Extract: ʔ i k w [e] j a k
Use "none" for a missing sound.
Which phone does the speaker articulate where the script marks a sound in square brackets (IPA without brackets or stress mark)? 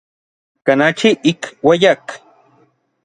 a